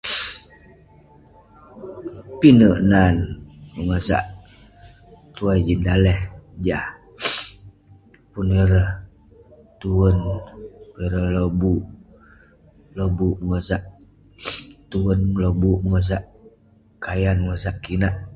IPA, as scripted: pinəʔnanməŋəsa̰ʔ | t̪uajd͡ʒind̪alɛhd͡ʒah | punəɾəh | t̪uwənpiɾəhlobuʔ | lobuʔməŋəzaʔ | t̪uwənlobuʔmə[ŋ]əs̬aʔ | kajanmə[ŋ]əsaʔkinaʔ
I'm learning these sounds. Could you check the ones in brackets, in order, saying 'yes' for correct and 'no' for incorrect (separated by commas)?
yes, yes